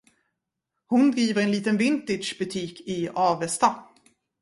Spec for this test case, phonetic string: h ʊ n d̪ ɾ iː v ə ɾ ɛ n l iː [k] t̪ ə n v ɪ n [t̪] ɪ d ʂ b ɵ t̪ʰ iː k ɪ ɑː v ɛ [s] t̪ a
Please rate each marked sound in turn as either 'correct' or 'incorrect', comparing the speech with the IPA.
incorrect, correct, correct

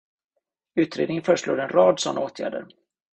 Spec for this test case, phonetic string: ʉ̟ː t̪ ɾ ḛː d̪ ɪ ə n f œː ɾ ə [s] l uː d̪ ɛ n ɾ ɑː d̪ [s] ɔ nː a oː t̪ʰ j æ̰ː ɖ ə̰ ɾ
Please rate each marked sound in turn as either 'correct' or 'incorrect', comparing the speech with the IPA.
incorrect, correct

